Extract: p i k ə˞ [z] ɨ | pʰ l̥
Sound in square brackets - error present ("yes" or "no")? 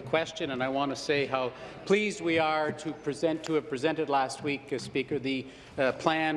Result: yes